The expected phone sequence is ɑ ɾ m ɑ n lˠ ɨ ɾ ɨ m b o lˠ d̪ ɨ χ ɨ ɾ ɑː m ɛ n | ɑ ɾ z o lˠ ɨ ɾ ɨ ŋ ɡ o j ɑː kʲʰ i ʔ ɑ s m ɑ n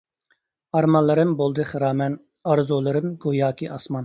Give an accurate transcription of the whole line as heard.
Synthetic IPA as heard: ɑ ɾ m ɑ n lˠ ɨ ɾ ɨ m b o lˠ d̪ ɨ χ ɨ ɾ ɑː m ɛ n | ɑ ɾ z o lˠ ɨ ɾ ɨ m ɡ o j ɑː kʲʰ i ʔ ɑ s m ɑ n

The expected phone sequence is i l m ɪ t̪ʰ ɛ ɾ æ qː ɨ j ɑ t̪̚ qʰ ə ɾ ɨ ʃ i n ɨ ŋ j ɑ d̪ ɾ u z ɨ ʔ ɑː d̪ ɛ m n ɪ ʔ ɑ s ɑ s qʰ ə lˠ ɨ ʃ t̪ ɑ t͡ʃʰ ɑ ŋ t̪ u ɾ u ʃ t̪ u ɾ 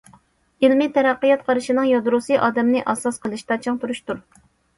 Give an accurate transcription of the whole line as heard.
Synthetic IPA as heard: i l m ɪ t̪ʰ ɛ ɾ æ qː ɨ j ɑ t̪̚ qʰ ɑ ɾ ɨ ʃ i n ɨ ŋ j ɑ d̪ ɾ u s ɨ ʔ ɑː d̪ ɛ m n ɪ ʔ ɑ s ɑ s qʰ ə lˠ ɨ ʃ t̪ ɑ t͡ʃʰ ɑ ŋ t̪ u ɾ u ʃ t̪ u ɾ

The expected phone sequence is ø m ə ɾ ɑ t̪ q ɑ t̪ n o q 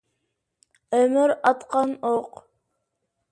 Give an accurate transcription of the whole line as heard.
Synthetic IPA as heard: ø m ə ɾ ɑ t̪ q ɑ n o q

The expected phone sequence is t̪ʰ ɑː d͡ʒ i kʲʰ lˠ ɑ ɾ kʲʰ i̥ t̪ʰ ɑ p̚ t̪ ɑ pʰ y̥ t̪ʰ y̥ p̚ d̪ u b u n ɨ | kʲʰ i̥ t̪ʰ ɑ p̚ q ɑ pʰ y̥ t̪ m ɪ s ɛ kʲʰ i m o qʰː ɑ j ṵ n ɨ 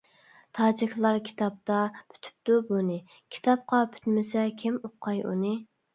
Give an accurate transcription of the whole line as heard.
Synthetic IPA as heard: t̪ʰ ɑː d͡ʒ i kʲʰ lˠ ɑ ɾ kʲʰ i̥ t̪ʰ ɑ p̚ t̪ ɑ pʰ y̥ t̪ʰ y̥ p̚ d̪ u b u n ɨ | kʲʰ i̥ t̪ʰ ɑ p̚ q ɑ pʰ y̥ t̪ m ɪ s ɛ kʲʰ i m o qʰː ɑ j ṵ n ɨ

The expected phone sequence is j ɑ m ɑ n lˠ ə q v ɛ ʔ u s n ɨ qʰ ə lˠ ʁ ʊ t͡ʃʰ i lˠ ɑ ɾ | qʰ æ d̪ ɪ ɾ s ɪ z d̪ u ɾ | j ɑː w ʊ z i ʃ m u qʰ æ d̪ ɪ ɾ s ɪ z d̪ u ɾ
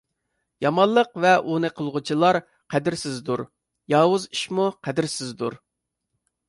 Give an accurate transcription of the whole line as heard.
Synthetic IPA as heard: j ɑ m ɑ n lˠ ə q v ɛ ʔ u n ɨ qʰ ə lˠ ʁ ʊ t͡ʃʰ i lˠ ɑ ɾ | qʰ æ d̪ ɪ ɾ s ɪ z d̪ u ɾ | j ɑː w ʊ z i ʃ m u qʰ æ d̪ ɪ ɾ s ɪ z d̪ u ɾ

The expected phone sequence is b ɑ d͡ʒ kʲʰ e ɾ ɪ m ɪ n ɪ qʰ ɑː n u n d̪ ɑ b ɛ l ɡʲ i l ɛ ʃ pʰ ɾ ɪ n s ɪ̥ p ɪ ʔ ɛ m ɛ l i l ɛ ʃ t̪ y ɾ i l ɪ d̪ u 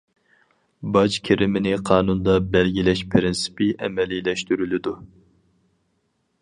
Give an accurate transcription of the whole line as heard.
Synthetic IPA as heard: b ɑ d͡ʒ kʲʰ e ɾ ɪ m ɪ n ɪ qʰ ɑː n u n d̪ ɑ b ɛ l ɡʲ i l ɛ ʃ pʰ ɾ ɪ n s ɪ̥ p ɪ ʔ ɛ m ɛ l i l ɛ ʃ t̪ y ɾ y l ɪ d̪ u

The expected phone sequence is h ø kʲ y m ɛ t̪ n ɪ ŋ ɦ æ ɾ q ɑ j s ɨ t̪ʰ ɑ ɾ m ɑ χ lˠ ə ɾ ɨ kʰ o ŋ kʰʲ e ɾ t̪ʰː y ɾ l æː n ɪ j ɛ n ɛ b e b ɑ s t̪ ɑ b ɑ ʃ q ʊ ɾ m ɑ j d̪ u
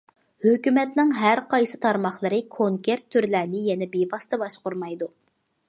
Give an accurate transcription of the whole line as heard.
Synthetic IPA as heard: h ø kʲ y m ɛ t̪ n ɪ ŋ ɦ æ ɾ q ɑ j s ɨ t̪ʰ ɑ ɾ m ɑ χ lˠ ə ɾ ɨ kʰ o ŋ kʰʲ e ɾ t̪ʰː y ɾ l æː n ɪ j ɛ n ɛ b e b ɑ s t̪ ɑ b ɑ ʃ q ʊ ɾ m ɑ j d̪ u

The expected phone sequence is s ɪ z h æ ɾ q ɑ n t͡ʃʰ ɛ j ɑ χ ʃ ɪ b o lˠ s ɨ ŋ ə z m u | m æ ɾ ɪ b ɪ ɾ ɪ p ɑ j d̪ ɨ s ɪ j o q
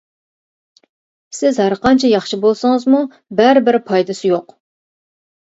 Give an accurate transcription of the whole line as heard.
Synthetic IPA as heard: s ɪ z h æ ɾ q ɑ n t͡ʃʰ ɛ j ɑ χ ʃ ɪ b o lˠ s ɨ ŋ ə z m u | b æ ɾ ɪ b ɪ ɾ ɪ pʰ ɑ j d̪ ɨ s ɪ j o q

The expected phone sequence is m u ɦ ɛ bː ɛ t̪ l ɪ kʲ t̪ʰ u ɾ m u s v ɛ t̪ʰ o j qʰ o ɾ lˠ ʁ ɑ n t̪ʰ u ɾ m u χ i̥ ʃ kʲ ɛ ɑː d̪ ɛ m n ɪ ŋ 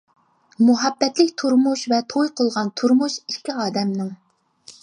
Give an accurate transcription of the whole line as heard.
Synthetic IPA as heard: m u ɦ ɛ bː ɛ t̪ l ɪ kʲ t̪ʰ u ɾ m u ʃ v ɛ t̪ʰ o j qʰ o lˠ ʁ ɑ n t̪ʰ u ɾ m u ʃ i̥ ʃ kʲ i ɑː d̪ ɛ m n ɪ ŋ

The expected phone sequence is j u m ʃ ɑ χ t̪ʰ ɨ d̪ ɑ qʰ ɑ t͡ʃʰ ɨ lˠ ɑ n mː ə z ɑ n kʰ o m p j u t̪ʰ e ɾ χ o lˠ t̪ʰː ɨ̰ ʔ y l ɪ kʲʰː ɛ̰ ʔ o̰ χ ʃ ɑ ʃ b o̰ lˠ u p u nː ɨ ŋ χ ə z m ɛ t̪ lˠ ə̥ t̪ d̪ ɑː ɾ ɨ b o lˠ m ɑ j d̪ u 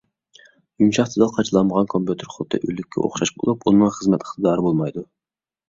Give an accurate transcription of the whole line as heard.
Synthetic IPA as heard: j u m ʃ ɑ χ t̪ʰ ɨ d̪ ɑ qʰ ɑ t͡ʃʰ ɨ lˠ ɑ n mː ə ʁ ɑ n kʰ o m p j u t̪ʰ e ɾ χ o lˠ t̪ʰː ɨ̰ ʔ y l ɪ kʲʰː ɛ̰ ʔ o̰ χ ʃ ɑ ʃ b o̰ lˠ u p u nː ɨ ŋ χ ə z m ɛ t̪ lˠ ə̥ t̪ d̪ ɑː ɾ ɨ b o lˠ m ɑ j d̪ u

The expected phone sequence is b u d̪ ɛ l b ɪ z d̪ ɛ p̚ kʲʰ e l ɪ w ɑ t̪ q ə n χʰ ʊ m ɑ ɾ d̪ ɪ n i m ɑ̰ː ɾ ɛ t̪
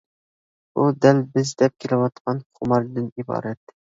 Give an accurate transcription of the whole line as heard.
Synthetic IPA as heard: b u d̪ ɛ l b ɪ z d̪ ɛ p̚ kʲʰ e l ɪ w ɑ t̪ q ɑ n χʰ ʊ m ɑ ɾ d̪ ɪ n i b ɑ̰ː ɾ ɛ t̪

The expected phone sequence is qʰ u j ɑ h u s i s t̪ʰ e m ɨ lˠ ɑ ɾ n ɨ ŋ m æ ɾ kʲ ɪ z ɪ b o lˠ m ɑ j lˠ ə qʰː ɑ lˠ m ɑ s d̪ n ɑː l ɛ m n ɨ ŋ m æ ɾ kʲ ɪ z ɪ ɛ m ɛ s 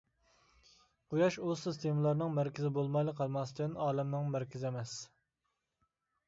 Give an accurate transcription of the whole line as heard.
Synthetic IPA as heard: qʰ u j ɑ ʃ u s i s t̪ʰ e m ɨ lˠ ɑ ɾ n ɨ ŋ m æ ɾ kʲ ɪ z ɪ b o lˠ m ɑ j lˠ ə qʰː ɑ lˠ m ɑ s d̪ n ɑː l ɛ m n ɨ ŋ m æ ɾ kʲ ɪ z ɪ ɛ m ɛ s

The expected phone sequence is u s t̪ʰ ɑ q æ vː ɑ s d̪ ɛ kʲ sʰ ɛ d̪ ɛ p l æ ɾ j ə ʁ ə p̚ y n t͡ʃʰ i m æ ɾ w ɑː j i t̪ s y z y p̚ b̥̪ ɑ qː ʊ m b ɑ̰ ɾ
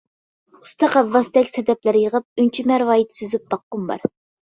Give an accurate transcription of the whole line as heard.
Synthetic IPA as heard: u s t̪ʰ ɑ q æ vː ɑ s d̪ ɛ kʲ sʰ ɛ d̪ ɛ p l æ ɾ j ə ʁ ə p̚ y n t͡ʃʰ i m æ ɾ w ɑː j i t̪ s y z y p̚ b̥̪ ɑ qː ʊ m b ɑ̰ ɾ

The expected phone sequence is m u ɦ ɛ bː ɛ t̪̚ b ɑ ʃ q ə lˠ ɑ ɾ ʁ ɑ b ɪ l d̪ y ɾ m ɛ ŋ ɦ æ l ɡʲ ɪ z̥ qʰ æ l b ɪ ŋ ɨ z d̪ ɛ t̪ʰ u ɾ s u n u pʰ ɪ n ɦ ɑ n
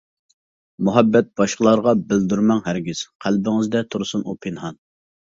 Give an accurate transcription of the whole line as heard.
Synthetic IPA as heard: m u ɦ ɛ bː ɛ t̪̚ b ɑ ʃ q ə lˠ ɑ ɾ ʁ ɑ b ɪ l d̪ y ɾ m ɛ ŋ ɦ æ ɾ ɡʲ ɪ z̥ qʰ æ l b ɪ ŋ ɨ z d̪ ɛ t̪ʰ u ɾ s u n u pʰ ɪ n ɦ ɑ n

